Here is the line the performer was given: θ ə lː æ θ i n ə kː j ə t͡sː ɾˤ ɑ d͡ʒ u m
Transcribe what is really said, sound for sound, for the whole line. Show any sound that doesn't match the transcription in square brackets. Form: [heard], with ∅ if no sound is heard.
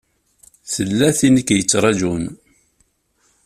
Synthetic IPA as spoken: θ ə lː æ θ i n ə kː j ə t͡sː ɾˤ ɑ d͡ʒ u [n]